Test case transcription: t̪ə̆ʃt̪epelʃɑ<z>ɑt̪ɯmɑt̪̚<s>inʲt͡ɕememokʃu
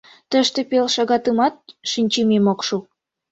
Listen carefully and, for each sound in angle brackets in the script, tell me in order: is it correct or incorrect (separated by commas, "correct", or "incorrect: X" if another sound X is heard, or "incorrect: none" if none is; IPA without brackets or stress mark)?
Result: incorrect: ɣ, incorrect: ʃ